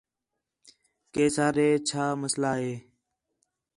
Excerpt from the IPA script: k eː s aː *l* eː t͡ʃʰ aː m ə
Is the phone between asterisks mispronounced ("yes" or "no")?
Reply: yes